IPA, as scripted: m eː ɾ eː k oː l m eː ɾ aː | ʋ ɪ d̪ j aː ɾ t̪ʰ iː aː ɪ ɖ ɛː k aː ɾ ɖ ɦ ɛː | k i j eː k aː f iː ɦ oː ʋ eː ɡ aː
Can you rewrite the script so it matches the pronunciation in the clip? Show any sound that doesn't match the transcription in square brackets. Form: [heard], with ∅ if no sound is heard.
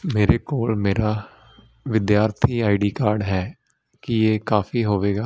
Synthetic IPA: m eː ɾ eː k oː l m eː ɾ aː | ʋ ɪ d̪ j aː ɾ t̪ʰ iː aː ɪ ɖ [iː] k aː ɾ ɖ ɦ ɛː | k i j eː k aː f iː ɦ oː ʋ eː ɡ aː